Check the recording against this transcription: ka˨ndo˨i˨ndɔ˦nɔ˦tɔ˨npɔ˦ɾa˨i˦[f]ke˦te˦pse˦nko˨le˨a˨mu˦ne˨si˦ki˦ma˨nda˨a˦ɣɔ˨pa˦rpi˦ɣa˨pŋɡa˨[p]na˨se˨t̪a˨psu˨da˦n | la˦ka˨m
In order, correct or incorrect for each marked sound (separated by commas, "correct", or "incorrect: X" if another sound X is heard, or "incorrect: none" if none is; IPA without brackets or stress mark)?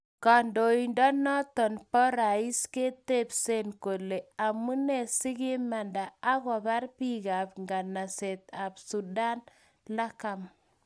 incorrect: s, incorrect: none